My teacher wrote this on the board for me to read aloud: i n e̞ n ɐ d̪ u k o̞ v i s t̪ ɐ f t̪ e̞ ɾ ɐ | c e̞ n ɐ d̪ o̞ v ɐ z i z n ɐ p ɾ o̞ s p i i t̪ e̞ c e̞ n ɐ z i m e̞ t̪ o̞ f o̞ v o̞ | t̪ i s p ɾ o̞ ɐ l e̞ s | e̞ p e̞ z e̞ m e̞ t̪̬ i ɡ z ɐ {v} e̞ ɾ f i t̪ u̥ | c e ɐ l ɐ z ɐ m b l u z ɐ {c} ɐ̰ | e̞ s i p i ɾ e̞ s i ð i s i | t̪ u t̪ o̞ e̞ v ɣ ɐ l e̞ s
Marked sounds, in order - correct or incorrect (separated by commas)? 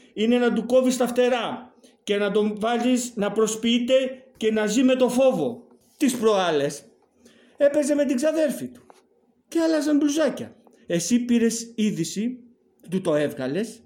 incorrect, correct